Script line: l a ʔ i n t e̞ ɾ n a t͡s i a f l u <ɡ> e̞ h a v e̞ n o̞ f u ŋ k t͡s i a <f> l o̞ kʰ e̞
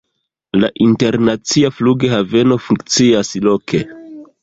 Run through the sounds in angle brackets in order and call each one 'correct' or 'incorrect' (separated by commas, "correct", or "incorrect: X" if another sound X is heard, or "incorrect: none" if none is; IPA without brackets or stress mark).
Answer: correct, incorrect: s